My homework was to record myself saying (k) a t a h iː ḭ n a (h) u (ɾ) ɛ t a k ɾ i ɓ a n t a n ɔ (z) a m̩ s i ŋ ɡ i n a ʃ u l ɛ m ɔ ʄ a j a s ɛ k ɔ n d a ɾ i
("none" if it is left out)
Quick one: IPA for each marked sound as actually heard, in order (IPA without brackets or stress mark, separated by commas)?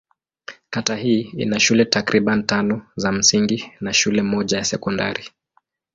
k, ʃ, l, z